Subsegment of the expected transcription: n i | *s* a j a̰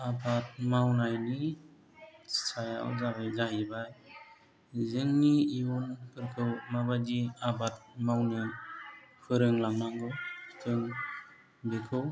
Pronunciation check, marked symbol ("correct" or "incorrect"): correct